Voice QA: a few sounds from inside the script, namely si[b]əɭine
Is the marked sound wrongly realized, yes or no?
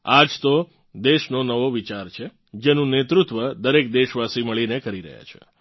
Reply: yes